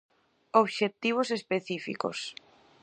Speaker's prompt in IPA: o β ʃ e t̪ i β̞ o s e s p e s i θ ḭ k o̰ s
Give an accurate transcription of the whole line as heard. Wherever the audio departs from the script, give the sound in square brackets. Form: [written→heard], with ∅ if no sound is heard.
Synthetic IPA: o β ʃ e t̪ i β̞ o s e s p e [s→θ] i [θ→f] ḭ k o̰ s